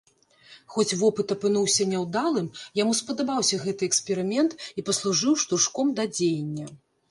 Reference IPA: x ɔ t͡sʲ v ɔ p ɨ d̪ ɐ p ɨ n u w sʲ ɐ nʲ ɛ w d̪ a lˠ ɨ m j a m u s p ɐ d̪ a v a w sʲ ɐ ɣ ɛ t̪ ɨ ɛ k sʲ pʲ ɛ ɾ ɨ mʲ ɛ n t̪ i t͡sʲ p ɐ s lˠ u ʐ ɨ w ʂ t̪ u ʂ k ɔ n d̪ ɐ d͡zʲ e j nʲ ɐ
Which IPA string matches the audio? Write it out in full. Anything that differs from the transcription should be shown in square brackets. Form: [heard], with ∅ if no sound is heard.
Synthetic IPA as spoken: x ɔ t͡sʲ v ɔ p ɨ [t̪] ɐ p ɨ n u w sʲ ɐ nʲ ɛ w d̪ a lˠ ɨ m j a m u s p ɐ d̪ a [b] a w sʲ ɐ ɣ ɛ t̪ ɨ ɛ k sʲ pʲ ɛ ɾ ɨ mʲ ɛ n t̪ i [∅] p ɐ s lˠ u ʐ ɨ w ʂ t̪ u ʂ k ɔ [m] d̪ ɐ d͡zʲ e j [nʲː] ɐ